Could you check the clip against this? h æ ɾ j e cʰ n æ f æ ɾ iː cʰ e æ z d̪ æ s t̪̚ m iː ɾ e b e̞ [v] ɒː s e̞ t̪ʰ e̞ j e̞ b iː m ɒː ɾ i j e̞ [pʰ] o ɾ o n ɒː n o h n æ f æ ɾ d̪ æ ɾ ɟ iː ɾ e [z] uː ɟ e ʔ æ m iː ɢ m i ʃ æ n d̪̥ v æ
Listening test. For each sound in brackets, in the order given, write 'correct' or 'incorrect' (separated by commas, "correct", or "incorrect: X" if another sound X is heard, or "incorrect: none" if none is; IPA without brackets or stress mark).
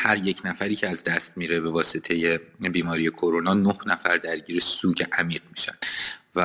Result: correct, incorrect: kʰ, incorrect: s